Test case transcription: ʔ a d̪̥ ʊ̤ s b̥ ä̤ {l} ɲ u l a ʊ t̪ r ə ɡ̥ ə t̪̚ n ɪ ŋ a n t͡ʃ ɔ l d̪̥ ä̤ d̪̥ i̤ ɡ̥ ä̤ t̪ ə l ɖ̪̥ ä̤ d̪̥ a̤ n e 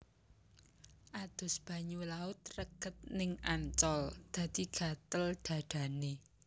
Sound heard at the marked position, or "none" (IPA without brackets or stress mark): none